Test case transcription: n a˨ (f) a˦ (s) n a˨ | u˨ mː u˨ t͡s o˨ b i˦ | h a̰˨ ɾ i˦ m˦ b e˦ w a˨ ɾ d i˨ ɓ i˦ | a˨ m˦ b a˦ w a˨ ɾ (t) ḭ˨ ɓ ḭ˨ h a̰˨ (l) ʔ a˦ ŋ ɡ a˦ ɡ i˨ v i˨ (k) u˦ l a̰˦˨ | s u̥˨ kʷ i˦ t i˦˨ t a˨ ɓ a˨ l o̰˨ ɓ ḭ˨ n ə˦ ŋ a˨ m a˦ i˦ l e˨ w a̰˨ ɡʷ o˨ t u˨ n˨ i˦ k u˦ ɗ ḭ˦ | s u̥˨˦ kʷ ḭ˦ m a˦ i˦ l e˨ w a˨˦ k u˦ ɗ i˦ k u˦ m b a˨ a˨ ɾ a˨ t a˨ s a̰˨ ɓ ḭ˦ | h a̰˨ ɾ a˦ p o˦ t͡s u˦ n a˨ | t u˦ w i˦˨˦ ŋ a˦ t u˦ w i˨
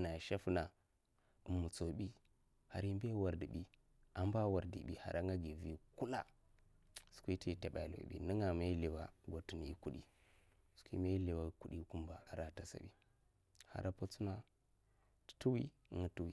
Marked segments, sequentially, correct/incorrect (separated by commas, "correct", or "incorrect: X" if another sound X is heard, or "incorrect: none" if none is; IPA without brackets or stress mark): incorrect: ʃ, incorrect: f, incorrect: d, incorrect: ɾ, correct